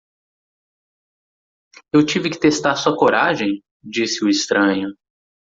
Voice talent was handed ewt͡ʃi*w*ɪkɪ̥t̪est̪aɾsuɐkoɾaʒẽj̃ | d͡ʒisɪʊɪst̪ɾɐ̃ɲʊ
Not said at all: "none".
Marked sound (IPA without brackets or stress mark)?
v